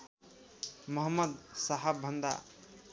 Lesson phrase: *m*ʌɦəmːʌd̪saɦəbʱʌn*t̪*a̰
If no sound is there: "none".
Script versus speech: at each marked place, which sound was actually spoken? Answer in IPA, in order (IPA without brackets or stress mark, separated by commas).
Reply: m, d̪